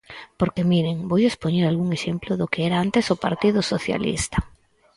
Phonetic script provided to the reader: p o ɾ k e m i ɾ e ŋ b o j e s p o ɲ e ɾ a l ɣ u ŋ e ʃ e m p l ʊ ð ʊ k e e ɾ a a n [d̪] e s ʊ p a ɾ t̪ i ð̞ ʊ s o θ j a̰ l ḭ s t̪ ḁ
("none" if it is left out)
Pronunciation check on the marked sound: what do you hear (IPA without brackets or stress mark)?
t̪